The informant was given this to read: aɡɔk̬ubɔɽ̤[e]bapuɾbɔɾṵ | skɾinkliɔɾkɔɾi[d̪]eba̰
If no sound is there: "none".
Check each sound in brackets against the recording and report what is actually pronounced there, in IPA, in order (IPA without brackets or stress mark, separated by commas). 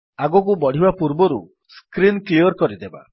i, d̪